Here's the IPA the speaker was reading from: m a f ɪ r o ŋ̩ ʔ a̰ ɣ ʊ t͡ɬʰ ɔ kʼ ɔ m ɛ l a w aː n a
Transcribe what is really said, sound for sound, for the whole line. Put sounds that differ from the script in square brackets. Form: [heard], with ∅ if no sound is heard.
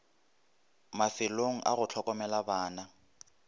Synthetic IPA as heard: m a f ɪ [l] o ŋ̩ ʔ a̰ ɣ ʊ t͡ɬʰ ɔ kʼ ɔ m ɛ l a [b] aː n a